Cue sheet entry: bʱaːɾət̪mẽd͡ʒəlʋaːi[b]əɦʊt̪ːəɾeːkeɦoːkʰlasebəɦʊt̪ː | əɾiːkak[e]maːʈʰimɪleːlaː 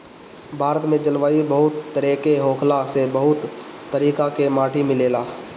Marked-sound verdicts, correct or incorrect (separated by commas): correct, correct